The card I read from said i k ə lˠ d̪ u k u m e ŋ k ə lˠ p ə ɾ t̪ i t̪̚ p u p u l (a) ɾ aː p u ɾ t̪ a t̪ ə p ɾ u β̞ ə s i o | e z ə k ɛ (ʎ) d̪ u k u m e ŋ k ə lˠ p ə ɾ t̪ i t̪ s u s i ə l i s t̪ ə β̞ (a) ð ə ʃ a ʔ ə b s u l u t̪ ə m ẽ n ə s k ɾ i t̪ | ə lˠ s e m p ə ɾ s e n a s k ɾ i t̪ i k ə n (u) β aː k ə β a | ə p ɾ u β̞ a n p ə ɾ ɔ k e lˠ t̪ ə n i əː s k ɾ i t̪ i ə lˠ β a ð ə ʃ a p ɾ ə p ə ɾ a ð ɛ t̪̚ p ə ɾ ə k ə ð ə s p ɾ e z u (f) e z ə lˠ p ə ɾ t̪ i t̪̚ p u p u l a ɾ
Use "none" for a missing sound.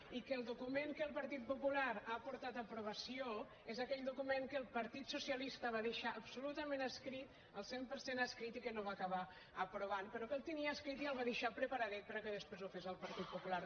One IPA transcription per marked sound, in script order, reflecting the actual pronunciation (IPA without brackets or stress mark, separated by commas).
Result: a, ʎ, a, o, f